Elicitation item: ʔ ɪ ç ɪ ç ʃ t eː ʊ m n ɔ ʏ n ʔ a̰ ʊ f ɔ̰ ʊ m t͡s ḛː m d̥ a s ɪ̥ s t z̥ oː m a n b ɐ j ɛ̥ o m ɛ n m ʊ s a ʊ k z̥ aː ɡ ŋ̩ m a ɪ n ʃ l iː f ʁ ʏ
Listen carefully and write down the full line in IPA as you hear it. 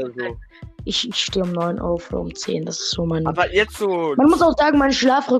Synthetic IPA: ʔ ɪ ç ɪ ç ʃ t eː ʊ m n ɔ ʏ n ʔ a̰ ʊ f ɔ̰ ʊ m t͡s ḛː n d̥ a s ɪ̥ s t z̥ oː m a n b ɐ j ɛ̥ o m a n m ʊ s a ʊ x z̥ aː ɡ ŋ̩ m a ɪ n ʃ l aː f ʁ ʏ